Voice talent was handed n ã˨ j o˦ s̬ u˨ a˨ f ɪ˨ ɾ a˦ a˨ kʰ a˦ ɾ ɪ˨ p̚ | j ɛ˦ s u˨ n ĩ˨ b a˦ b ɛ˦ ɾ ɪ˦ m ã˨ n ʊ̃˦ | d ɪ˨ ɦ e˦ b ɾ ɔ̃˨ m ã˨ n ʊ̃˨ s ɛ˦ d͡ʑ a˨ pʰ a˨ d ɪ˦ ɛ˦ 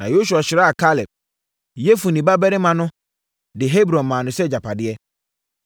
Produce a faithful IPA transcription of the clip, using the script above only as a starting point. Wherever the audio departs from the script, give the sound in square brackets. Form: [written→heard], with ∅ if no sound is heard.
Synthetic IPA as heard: n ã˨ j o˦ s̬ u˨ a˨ [f→ɕ] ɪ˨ ɾ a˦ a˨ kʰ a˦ [ɾ→l] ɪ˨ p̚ | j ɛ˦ [s→f] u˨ n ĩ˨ b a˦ b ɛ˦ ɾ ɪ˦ m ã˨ n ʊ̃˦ | d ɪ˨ ɦ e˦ b ɾ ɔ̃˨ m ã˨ n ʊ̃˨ s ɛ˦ d͡ʑ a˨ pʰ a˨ d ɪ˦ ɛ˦